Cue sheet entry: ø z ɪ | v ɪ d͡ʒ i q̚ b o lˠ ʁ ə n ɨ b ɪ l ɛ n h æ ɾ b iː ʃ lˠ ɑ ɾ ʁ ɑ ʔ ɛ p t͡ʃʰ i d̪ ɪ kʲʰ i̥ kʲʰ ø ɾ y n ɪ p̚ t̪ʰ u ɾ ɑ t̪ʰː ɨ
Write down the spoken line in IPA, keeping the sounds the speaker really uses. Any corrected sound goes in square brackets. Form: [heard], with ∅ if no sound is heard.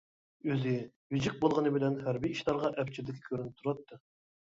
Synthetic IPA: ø z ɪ | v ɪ d͡ʒ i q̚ b o lˠ ʁ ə n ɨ b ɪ l ɛ n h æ ɾ b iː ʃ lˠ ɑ ɾ ʁ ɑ ʔ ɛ p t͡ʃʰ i d̪ ɪ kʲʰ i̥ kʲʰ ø ɾ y n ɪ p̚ t̪ʰ u ɾ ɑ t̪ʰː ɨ